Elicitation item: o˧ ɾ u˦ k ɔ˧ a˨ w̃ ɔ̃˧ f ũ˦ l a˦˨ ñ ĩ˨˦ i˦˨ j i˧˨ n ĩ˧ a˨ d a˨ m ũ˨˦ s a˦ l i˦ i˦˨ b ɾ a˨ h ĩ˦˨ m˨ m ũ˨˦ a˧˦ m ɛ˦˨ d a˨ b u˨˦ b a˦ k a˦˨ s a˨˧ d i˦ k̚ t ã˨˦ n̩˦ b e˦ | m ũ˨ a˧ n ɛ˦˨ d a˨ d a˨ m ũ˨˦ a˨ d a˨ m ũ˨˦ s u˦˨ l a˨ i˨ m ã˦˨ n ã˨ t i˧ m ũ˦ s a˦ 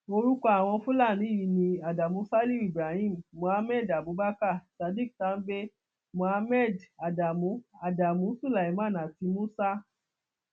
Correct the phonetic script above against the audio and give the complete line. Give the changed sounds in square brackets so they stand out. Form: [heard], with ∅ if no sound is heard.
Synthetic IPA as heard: o˧ ɾ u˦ k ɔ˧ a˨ w̃ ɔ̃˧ f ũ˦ l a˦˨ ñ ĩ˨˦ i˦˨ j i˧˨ n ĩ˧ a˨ d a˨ m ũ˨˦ s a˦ l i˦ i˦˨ b ɾ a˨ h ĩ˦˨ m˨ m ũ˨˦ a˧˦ m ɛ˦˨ d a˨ b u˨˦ b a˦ k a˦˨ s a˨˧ d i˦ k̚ t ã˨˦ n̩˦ b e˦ | m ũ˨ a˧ [m] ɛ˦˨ d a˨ d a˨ m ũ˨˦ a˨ d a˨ m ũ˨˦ s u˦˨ l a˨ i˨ m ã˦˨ n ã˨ t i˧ m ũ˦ s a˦